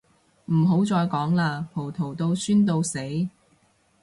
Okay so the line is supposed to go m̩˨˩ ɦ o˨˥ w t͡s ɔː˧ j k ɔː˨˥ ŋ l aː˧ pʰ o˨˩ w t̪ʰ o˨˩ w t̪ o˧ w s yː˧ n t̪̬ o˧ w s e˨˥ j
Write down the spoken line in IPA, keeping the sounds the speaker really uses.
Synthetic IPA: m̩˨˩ ɦ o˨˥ w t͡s ɔː˧ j k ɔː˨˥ ŋ l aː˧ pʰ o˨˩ w t̪ʰ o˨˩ w t̪ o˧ w s yː˥ n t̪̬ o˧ w s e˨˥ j